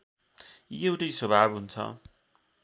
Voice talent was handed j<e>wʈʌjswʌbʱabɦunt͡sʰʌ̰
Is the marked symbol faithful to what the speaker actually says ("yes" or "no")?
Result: yes